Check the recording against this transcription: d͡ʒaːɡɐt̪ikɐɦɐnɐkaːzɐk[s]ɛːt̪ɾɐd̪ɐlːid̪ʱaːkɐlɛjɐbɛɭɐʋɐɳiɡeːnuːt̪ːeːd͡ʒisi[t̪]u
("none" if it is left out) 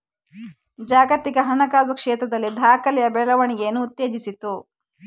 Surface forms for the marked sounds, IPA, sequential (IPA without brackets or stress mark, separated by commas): ʂ, t̪